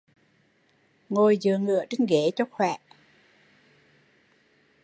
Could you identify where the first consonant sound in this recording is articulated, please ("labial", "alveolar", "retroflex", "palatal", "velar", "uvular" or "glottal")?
velar